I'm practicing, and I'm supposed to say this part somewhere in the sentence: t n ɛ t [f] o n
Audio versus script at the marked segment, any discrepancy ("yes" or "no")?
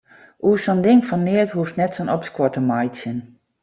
yes